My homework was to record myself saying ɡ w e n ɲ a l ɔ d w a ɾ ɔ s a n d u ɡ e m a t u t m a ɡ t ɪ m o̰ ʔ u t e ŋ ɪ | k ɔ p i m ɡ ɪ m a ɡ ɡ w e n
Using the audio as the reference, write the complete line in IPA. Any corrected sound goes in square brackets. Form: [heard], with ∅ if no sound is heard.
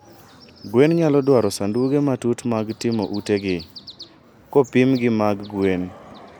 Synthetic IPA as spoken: ɡ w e n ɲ a l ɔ d w a ɾ ɔ s a n d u ɡ e m a t u t m a ɡ t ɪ m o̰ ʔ u t e [ɡ] ɪ | k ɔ p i m ɡ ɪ m a ɡ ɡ w e n